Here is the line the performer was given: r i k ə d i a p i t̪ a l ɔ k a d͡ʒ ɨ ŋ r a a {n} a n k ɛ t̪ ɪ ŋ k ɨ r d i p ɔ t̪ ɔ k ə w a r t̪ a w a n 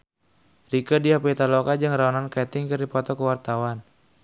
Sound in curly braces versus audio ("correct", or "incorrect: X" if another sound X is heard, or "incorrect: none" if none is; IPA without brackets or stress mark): correct